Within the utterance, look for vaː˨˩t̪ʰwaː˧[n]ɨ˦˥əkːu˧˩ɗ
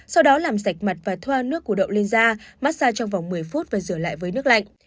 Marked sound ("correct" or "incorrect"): correct